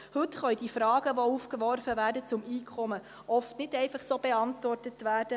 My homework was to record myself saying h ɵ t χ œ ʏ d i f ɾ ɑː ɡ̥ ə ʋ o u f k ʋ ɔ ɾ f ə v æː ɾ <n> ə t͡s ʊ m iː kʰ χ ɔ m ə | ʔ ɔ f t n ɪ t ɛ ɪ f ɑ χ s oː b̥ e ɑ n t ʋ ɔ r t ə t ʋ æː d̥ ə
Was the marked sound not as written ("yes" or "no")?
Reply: yes